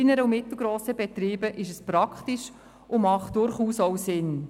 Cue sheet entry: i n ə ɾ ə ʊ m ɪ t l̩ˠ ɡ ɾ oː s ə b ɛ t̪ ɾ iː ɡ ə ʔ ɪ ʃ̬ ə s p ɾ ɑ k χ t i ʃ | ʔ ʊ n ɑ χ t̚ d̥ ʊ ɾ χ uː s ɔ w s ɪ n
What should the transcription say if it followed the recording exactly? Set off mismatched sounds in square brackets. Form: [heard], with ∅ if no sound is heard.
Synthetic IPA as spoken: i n ə ɾ ə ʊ m ɪ t l̩ˠ ɡ ɾ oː s ə b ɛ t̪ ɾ iː [b] ə ʔ ɪ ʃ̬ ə s p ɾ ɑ k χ t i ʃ | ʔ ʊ [m] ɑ χ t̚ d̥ ʊ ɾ χ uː s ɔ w s ɪ n